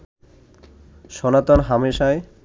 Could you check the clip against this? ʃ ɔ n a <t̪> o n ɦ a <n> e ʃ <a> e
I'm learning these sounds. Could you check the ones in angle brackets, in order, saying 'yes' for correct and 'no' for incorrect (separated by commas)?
yes, no, yes